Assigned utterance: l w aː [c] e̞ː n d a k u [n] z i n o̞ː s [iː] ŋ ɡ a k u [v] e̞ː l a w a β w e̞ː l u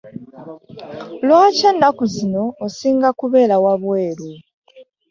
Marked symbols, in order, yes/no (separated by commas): yes, no, yes, no